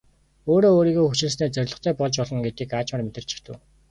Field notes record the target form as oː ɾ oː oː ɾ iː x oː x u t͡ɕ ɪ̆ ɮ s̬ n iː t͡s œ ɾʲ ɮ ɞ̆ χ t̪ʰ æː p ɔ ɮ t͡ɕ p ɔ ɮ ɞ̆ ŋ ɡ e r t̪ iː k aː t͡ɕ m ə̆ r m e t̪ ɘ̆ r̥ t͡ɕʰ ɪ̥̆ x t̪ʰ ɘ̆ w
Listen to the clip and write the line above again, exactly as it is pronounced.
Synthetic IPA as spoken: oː ɾ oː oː ɾ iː ɣ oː x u t͡ɕ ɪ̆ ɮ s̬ n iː t͡s œ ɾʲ ɮ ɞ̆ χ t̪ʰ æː p ɔ ɮ t͡ɕ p ɔ ɮ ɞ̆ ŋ ɡ e t̪ iː k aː t͡ɕ m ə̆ r m e t̪ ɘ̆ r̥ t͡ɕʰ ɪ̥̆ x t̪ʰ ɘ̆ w